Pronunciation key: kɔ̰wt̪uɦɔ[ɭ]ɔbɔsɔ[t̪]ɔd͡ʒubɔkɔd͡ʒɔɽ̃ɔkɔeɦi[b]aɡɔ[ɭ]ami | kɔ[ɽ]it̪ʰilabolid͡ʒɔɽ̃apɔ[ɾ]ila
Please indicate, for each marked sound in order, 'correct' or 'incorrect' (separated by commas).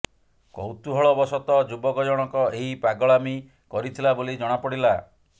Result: correct, correct, incorrect, correct, incorrect, incorrect